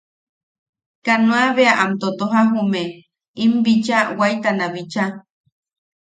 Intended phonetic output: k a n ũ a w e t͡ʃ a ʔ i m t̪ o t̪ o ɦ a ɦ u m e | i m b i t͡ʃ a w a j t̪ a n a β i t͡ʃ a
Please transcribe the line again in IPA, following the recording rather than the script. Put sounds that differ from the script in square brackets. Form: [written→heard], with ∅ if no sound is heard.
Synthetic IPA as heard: k a n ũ a [w→β] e [t͡ʃ→∅] a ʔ [i→a] m t̪ o t̪ o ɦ a ɦ u m e | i m b i t͡ʃ a w a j t̪ a n a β i t͡ʃ a